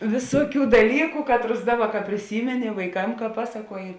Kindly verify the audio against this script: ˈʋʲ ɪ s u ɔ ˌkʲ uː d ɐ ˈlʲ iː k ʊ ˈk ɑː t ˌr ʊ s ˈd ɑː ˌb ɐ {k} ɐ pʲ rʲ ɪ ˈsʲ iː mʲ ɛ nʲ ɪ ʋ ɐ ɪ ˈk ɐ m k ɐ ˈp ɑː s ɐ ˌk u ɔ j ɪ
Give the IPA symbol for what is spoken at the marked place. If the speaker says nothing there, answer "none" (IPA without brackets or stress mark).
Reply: k